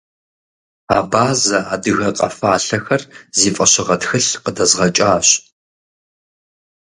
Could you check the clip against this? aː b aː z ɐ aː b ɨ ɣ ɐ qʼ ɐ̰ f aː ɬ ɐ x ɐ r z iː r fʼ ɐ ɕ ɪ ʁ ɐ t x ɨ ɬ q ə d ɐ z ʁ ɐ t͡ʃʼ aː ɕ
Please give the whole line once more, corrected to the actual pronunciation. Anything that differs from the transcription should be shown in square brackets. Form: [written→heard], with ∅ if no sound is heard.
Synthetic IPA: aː b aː z ɐ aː [b→d] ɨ ɣ ɐ qʼ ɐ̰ f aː ɬ ɐ x ɐ r z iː [r→∅] fʼ ɐ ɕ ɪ ʁ ɐ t x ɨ ɬ q ə d ɐ z ʁ ɐ t͡ʃʼ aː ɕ